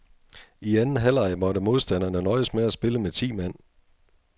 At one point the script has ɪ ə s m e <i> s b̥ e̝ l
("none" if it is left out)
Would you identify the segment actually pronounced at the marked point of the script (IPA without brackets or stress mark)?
æ